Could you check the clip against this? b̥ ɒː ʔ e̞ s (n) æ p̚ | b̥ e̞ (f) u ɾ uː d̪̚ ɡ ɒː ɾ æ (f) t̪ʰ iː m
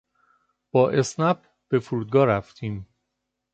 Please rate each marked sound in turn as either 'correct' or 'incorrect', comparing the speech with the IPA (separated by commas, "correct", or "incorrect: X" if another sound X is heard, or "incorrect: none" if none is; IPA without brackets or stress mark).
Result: correct, correct, correct